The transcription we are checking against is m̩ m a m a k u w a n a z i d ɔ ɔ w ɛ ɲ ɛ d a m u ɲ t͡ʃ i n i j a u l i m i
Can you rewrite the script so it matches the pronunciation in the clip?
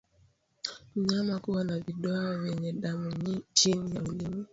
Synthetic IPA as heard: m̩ ɲ a m a k u w a n a v i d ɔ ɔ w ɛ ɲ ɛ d a m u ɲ t͡ʃ i n i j a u l i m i